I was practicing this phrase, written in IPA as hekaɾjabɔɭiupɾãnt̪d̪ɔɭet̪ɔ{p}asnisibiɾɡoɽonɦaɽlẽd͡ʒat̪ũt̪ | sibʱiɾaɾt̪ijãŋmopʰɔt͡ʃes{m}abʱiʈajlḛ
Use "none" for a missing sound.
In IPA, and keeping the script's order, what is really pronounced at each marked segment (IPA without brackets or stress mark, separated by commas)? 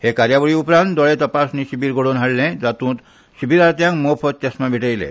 p, m